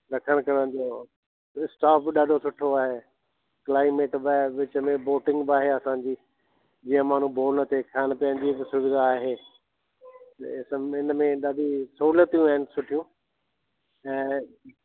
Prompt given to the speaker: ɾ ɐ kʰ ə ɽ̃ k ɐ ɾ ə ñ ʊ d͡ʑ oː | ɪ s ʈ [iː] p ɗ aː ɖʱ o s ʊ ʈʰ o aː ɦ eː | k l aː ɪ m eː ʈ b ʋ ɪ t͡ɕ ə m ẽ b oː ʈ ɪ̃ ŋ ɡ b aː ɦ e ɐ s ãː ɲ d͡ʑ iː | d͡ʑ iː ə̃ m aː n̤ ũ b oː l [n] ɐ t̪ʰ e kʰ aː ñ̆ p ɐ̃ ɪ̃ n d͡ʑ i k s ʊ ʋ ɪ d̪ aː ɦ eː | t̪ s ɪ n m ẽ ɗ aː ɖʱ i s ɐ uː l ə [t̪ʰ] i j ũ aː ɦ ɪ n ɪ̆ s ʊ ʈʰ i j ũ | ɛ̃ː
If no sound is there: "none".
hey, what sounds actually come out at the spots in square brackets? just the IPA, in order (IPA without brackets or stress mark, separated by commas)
aː, n, t̪